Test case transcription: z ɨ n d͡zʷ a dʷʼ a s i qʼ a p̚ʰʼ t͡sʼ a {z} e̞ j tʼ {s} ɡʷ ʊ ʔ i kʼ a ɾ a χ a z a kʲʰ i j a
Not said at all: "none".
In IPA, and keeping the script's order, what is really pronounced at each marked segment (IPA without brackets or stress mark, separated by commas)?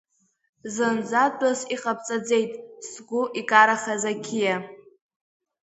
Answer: d͡z, s